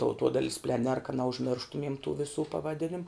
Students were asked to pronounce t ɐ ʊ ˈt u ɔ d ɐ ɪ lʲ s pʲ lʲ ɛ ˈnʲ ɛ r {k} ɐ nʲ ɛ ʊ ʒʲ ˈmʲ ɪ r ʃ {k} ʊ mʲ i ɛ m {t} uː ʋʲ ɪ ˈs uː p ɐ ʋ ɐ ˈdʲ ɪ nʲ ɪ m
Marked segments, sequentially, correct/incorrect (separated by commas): correct, incorrect, correct